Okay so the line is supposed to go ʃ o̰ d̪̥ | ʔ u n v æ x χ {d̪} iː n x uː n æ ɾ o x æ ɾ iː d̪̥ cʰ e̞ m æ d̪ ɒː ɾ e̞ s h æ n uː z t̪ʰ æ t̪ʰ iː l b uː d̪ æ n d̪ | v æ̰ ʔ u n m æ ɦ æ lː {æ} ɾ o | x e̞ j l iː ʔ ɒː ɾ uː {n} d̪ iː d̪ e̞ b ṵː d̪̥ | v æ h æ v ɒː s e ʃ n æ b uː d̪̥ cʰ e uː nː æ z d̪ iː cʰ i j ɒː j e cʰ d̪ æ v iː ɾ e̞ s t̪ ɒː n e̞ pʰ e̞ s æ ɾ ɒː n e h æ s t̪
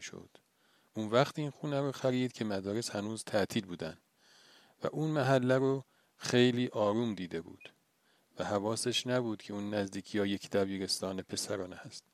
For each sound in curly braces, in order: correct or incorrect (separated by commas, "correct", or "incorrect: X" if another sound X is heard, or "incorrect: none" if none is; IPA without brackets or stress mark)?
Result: incorrect: t̪, correct, incorrect: m